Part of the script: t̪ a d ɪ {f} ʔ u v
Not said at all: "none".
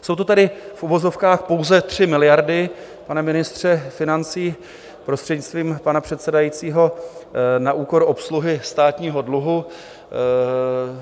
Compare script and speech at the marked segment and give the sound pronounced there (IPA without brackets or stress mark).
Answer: f